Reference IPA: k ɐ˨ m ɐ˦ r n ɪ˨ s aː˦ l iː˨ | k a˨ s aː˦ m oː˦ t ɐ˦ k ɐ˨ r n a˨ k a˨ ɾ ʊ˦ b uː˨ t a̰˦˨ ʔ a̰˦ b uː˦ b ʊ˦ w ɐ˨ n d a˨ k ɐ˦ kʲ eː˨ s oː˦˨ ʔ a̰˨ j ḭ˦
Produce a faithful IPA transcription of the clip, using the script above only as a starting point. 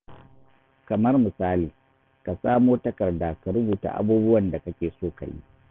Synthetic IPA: k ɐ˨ m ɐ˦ r m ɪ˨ s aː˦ l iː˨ | k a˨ s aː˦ m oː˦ t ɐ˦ k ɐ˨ r d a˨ k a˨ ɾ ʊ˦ b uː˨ t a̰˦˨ ʔ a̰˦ b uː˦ b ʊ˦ w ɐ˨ n d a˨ k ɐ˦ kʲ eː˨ s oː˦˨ k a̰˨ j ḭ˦